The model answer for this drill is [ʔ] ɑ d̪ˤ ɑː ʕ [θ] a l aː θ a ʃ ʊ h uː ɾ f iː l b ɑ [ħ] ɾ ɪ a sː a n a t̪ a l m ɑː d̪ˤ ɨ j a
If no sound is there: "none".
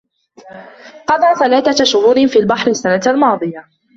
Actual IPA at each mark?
q, θ, ħ

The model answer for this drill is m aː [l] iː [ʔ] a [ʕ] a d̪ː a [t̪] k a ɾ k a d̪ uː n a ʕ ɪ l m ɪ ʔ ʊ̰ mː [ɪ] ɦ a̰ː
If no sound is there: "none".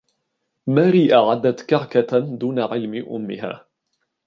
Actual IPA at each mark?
ɾ, ʔ, ʕ, t̪, ɪ

